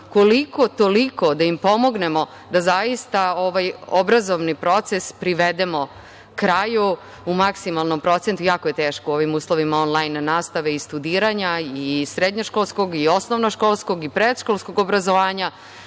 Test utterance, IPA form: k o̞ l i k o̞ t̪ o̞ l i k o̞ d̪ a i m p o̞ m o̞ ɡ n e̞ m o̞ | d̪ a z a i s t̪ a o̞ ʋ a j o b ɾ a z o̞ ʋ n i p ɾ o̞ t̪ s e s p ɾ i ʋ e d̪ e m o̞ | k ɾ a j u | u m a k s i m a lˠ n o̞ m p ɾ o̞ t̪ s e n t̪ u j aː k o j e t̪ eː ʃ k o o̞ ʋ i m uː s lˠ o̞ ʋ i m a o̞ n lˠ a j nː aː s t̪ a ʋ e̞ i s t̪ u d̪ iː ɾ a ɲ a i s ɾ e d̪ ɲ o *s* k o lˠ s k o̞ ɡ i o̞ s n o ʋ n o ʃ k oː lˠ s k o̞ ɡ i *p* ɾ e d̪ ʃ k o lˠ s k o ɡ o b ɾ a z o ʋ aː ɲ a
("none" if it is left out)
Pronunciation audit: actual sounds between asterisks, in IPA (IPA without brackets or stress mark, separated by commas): ʃ, p